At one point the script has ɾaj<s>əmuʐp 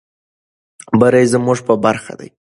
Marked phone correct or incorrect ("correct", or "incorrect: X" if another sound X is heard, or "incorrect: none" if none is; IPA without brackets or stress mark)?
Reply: incorrect: z